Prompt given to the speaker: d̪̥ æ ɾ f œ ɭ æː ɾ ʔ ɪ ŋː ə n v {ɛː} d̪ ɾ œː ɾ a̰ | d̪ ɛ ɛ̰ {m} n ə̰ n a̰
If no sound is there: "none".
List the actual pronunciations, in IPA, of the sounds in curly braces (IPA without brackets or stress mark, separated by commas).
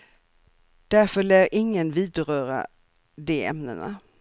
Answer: iː, m